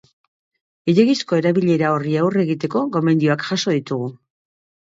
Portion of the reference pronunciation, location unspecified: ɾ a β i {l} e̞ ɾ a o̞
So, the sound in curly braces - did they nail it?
no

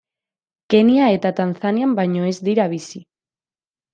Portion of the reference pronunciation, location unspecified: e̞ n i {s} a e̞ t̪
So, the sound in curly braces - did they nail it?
no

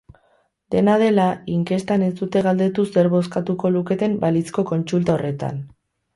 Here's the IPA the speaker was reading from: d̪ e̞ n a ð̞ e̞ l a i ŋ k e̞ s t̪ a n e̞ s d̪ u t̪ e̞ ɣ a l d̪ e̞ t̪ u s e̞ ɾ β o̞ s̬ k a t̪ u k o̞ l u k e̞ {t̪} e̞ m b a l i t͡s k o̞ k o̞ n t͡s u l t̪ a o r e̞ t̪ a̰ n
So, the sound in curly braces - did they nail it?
yes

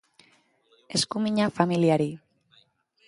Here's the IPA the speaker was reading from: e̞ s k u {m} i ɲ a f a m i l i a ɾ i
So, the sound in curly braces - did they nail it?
yes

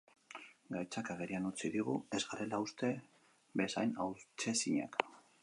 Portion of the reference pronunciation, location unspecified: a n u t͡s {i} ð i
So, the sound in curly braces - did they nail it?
yes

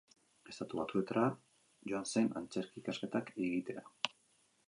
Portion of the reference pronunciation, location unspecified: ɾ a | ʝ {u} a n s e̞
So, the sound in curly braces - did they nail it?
no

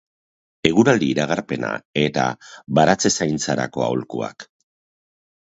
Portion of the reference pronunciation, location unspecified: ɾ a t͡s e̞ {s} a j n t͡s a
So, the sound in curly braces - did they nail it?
yes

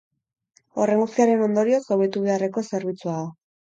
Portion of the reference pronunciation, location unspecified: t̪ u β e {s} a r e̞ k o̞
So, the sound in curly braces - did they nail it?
no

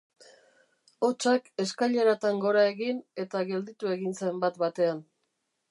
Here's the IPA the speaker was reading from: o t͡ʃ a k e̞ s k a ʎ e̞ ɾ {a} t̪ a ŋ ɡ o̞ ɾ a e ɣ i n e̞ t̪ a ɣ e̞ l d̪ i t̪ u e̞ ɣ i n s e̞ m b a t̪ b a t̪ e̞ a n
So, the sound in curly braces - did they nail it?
yes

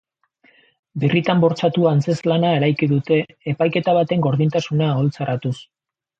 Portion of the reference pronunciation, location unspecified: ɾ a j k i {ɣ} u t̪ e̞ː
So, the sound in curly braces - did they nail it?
no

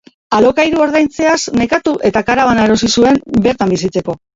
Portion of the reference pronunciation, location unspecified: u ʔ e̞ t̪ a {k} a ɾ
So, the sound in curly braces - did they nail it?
yes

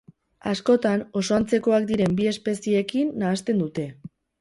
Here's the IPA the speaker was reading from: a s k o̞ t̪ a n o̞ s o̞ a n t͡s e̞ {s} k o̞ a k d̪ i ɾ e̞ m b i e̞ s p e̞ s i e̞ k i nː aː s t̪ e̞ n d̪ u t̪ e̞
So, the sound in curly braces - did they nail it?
no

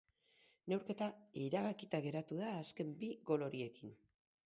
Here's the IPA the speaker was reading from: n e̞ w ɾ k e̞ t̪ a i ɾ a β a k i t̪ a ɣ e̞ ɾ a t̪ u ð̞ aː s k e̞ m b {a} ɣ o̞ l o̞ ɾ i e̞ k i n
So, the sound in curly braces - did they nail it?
no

